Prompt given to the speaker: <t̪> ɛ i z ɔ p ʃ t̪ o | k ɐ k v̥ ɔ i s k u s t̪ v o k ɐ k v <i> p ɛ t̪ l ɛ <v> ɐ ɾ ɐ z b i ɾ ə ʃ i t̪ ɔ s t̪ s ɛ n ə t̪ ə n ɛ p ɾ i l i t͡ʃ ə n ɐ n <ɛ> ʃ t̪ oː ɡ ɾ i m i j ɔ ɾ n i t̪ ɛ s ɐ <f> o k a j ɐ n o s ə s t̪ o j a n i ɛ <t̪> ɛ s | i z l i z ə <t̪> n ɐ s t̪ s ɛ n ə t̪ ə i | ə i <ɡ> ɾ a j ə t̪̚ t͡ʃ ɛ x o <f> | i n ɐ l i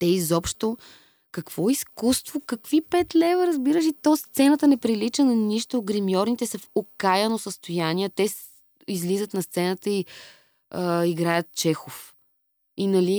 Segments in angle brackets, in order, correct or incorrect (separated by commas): correct, correct, correct, incorrect, correct, correct, correct, correct, correct